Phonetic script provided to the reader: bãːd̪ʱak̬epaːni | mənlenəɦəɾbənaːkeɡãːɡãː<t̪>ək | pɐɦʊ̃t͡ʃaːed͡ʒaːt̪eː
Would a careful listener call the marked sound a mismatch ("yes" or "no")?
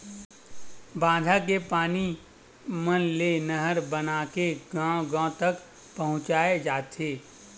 no